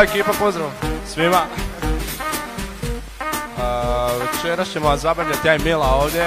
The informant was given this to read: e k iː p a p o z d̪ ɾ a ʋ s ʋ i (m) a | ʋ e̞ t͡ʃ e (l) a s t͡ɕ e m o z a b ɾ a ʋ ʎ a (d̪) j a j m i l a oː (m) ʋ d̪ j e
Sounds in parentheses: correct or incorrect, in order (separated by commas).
correct, incorrect, incorrect, incorrect